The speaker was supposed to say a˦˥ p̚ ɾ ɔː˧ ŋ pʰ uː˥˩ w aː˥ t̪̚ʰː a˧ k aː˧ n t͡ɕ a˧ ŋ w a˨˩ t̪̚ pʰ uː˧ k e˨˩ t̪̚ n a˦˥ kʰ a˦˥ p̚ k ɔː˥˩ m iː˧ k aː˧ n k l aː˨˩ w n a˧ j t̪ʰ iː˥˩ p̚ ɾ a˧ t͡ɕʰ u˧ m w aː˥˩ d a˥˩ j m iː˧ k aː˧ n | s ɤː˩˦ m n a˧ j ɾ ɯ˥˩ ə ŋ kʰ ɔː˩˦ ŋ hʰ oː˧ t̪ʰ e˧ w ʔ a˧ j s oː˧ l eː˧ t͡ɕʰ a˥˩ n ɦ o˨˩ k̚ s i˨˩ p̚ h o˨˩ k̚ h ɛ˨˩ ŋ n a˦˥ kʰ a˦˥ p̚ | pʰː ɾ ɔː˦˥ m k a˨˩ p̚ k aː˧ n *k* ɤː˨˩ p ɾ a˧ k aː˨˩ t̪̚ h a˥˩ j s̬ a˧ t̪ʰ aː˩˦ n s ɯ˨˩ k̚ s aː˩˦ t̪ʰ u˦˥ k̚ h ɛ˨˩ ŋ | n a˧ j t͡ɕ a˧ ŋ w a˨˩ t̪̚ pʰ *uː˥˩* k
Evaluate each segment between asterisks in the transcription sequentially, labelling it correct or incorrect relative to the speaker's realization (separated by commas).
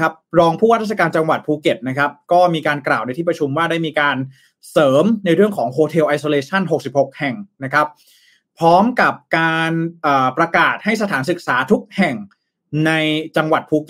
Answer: incorrect, incorrect